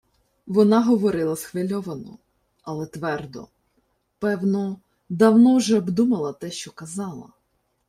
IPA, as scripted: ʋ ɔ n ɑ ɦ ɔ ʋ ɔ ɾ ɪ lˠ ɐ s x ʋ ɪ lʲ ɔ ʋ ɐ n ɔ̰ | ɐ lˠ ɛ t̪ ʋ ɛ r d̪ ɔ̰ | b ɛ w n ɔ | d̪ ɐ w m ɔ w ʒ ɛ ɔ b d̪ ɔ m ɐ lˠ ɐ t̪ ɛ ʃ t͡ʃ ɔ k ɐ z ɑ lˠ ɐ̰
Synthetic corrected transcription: ʋ ɔ n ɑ ɦ ɔ ʋ ɔ ɾ ɪ lˠ ɐ s x ʋ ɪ lʲ ɔ ʋ ɐ n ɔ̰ | ɐ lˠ ɛ t̪ ʋ ɛ r d̪ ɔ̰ | p ɛ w n ɔ | d̪ ɐ w n ɔ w ʒ ɛ ɔ b d̪ u m ɐ lˠ ɐ t̪ ɛ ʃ t͡ʃ ɔ k ɐ z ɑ lˠ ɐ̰